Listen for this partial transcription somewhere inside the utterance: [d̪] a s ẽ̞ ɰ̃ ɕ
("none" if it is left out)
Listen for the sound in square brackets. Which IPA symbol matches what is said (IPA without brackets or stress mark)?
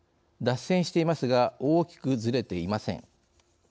d̪